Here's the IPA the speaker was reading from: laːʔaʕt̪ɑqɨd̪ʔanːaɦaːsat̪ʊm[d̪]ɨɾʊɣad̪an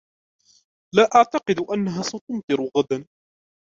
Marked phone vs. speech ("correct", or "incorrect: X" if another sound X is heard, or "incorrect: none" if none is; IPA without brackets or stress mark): incorrect: t̪